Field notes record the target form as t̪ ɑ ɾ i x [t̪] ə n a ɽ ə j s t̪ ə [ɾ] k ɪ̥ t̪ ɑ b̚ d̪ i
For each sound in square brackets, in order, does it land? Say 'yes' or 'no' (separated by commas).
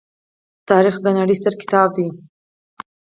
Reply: no, yes